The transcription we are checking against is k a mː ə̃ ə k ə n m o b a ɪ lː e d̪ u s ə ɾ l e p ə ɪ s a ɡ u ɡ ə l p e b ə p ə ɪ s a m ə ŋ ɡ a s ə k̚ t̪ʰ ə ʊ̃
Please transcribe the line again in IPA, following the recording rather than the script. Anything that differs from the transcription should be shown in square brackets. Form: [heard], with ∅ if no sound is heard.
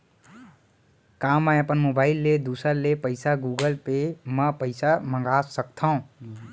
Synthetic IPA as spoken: k a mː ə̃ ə [p] ə n m o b a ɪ lː e d̪ u s ə ɾ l e p ə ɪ s a ɡ u ɡ ə l p e [m] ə p ə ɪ s a m ə ŋ ɡ a s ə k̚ t̪ʰ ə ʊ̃